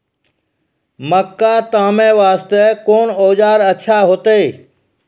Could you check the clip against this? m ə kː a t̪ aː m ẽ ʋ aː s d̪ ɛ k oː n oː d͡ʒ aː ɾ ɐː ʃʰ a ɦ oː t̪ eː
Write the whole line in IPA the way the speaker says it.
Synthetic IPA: m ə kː a t̪ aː m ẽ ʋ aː s t̪ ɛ k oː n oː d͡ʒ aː ɾ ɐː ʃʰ a ɦ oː t̪ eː

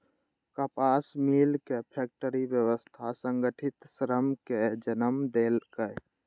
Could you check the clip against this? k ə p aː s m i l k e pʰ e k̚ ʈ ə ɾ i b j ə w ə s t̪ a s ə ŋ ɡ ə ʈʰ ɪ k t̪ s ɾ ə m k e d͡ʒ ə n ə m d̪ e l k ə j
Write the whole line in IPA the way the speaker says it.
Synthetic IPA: k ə p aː s m i l k e pʰ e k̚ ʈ ə ɾ i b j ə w ə s t̪ʰ a s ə ŋ ɡ ə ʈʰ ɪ t̪ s ɾ ə m k e d͡ʒ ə n ə m d̪ e l k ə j

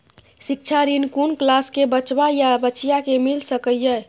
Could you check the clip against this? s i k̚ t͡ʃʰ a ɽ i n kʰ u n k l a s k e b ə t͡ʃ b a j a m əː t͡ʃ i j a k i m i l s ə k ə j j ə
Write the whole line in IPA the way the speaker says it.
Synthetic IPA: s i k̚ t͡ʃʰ a ɾ i n k u n k l a s k e b ə t͡ʃ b a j a b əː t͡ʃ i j a k e m i l s ə k ə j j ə

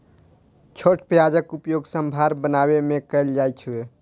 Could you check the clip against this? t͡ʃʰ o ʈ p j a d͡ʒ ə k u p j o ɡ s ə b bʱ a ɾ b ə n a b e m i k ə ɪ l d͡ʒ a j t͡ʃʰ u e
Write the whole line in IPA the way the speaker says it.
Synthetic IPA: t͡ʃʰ o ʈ p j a d͡ʒ ə k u p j o ɡ s ə m bʱ a ɾ b ə n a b e m e k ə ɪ l d͡ʒ a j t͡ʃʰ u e

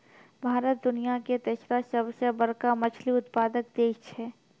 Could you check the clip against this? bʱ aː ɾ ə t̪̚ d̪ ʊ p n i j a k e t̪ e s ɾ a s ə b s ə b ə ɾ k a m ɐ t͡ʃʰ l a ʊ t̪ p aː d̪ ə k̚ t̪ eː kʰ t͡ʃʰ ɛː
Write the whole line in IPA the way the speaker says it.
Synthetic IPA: bʱ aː ɾ ə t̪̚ d̪ ʊ n i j a k e t̪ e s ɾ a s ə b s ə b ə ɾ k a m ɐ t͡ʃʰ l i ʊ t̪ p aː d̪ ə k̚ d̪ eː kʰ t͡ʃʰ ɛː

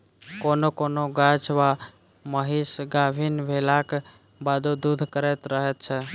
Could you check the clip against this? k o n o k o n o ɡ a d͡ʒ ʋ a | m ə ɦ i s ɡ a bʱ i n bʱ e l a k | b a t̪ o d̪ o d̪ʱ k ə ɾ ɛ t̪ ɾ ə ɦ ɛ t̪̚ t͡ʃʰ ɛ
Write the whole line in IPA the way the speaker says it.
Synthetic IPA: k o n o k o n o ɡ a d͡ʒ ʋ a | m ə ɦ i s ɡ a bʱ i n bʱ e l a k | b a d̪ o d̪ u d̪ʱ k ə ɾ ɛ t̪ ɾ ə ɦ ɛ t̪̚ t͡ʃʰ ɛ

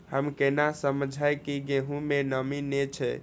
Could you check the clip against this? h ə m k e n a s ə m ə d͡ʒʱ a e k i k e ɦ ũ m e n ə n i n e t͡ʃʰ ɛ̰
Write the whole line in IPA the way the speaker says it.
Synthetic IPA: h ə m k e n a s ə m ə d͡ʒʱ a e k i ɡ e ɦ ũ m e n ə m i n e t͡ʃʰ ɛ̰

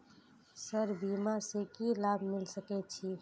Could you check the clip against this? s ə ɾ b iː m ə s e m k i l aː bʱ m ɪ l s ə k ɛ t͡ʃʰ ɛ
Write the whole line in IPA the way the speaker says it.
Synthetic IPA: s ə ɾ b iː m a s e k i l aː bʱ m ɪ l s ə k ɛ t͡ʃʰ i

